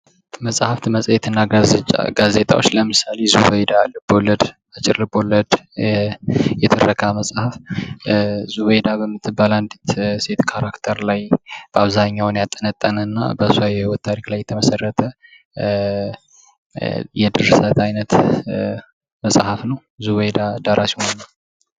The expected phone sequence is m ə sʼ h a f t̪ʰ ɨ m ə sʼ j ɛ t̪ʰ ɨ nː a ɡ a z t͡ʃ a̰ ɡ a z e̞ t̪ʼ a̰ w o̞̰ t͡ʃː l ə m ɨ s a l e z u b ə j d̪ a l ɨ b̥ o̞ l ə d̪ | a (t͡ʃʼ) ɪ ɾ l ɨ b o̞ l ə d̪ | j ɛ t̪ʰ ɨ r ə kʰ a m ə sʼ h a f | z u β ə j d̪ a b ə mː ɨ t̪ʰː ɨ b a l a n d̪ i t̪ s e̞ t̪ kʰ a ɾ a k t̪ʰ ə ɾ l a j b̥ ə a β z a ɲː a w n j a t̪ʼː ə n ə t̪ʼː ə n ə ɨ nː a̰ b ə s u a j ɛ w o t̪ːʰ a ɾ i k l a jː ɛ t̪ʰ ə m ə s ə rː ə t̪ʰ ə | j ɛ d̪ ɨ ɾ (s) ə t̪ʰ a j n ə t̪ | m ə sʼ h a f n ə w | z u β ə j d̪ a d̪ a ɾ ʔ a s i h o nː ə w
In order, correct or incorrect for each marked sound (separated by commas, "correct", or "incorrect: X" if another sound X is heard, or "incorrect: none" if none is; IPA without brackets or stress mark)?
correct, correct